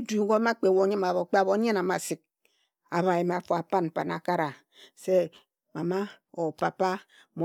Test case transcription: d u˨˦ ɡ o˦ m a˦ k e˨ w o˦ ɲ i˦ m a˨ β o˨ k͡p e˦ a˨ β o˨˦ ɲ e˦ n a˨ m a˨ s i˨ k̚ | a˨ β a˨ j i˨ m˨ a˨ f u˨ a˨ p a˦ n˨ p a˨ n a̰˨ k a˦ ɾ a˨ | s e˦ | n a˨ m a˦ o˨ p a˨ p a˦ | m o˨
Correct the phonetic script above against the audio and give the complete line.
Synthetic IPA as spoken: d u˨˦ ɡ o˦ m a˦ k͡p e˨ w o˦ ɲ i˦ m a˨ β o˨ k͡p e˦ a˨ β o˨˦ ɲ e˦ n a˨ m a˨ s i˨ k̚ | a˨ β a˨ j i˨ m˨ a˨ f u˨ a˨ p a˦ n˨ p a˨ n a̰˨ k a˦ ɾ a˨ | s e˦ | m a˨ m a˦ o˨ p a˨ p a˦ | m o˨